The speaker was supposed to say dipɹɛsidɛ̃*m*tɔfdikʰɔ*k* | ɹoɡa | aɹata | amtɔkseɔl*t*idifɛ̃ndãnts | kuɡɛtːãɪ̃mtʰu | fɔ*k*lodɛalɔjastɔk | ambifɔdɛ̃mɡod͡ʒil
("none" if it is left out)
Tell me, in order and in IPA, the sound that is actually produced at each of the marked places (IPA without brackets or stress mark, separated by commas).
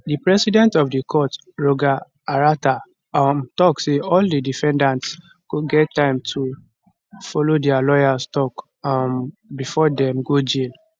n, t, d, none